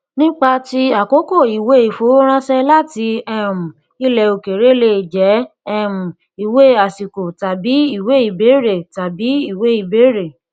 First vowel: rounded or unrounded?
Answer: unrounded